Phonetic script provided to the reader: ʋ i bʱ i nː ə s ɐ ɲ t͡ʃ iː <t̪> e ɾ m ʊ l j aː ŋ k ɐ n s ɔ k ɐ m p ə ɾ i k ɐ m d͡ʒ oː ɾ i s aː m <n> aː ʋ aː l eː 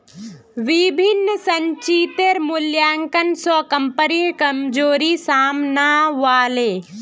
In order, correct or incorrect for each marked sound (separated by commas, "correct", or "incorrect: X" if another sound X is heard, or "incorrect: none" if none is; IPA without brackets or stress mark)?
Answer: correct, correct